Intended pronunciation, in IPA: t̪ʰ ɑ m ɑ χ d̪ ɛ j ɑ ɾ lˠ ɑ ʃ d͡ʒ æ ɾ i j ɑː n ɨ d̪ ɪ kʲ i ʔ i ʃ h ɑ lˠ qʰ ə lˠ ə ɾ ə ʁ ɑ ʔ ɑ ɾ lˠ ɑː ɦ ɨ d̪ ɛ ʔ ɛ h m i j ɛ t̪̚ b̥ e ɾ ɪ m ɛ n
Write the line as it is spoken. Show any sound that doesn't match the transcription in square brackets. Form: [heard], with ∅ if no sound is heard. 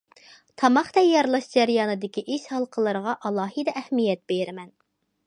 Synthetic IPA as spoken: t̪ʰ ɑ m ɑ χ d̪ ɛ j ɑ ɾ lˠ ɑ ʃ d͡ʒ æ ɾ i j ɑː n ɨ d̪ ɪ kʲ i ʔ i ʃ h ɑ lˠ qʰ ə lˠ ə ɾ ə ʁ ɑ ʔ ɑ [∅] lˠ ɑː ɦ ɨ d̪ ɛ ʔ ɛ h m i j ɛ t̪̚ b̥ e ɾ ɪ m ɛ n